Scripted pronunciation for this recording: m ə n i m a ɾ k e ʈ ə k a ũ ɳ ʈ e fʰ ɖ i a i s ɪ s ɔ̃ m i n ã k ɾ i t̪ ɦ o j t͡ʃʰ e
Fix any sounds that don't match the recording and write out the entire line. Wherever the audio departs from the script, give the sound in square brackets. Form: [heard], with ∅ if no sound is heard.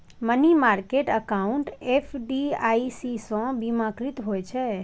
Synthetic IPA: m ə n i m a ɾ k e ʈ ə k a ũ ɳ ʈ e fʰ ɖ i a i s [i] s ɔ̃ [b] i [m] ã k ɾ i t̪ ɦ o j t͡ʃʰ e